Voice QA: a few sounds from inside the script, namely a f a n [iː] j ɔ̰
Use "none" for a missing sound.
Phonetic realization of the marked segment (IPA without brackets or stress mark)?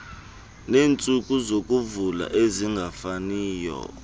iː